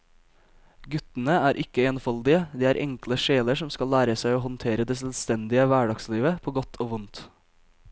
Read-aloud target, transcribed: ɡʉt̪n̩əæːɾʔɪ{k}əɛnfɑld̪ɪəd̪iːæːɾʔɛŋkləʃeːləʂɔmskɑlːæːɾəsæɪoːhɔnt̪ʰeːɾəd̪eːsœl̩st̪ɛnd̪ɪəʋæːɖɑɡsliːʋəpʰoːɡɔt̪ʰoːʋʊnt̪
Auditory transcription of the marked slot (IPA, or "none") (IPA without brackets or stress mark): k